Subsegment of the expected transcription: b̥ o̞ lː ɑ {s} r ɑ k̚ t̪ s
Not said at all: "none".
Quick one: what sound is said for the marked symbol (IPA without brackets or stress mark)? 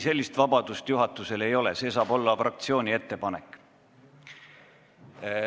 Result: f